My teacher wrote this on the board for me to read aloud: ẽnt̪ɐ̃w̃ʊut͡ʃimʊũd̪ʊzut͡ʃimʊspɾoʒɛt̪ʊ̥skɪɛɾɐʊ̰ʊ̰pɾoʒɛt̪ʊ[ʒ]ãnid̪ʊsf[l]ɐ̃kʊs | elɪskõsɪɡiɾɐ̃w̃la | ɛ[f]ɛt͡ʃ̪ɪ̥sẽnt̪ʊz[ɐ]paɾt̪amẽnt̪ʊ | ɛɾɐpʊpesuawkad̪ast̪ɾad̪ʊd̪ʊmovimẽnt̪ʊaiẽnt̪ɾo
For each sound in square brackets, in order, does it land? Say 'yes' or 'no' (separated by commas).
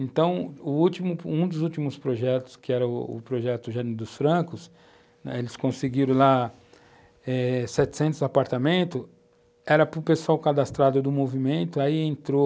yes, no, no, no